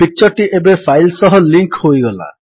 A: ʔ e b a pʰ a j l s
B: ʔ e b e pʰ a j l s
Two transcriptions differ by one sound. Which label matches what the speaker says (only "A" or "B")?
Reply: B